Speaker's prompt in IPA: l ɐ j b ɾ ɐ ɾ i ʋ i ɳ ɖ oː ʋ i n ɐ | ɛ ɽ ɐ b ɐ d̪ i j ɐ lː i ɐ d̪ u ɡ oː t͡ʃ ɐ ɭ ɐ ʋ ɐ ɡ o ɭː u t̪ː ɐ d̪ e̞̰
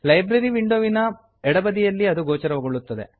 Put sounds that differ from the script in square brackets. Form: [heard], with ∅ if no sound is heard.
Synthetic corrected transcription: l ɐ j b ɾ ɐ ɾ i ʋ i ɳ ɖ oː ʋ i n ɐ | ɛ ɽ ɐ b ɐ d̪ i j ɐ lː i ɐ d̪ u ɡ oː t͡ʃ ɐ [ɾ] ɐ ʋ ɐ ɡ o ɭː u t̪ː ɐ d̪ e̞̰

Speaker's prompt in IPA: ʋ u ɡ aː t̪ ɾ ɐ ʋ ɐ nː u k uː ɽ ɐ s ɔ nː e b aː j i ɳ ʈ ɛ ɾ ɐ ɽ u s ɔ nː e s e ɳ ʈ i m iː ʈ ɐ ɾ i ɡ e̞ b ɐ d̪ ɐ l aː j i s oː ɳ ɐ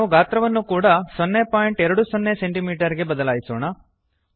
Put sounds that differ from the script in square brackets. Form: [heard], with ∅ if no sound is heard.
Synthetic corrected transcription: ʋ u ɡ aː t̪ ɾ ɐ ʋ ɐ nː u k uː ɽ ɐ s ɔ nː e [p] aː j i ɳ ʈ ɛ ɾ ɐ ɽ u s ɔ nː e s e ɳ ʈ i m iː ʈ ɐ ɾ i ɡ e̞ b ɐ d̪ ɐ l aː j i s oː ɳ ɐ

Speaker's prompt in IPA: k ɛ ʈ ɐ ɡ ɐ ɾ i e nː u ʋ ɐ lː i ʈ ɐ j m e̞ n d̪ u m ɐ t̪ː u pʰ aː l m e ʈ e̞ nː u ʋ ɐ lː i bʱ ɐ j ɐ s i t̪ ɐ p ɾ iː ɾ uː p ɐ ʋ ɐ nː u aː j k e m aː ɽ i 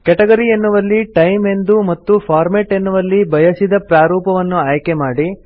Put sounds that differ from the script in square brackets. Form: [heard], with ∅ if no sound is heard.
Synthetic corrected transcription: k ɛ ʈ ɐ ɡ ɐ ɾ i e nː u ʋ ɐ lː i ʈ ɐ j m e̞ n d̪ u m ɐ t̪ː u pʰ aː [ɾ] m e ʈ e̞ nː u ʋ ɐ lː i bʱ ɐ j ɐ s i [d̪] ɐ p ɾ [aː] ɾ uː p ɐ ʋ ɐ nː u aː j k e m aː ɽ i

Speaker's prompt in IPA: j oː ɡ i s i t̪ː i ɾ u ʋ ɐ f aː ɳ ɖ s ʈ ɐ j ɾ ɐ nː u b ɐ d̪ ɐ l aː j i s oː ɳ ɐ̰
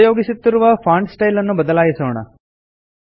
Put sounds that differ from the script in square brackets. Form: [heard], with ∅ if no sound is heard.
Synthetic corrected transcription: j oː ɡ i s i t̪ː i ɾ u ʋ ɐ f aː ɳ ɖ s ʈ ɐ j [l] ɐ nː u b ɐ d̪ ɐ l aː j i s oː ɳ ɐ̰

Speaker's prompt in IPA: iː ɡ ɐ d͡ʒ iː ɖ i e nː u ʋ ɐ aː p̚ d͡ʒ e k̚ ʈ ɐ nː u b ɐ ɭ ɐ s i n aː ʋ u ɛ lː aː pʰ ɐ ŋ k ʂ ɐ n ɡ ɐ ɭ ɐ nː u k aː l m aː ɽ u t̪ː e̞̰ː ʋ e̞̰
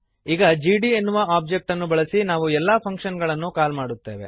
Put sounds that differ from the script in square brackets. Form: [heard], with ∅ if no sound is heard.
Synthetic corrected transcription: iː ɡ ɐ d͡ʒ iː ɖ i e nː u ʋ ɐ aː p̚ d͡ʒ e k̚ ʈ ɐ nː u b ɐ ɭ ɐ s i n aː ʋ u ɛ lː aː pʰ ɐ ŋ k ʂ ɐ n ɡ ɐ ɭ ɐ nː u k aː l m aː ɽ u t̪ː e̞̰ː ʋ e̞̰

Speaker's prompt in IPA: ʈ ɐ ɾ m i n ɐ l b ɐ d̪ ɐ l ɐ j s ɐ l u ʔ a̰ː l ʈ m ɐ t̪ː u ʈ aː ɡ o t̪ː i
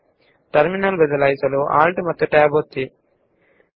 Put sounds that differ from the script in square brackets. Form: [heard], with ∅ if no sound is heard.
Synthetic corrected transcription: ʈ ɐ ɾ m i n ɐ l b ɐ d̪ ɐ l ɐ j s ɐ l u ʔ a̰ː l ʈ m ɐ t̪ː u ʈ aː [b] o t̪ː i

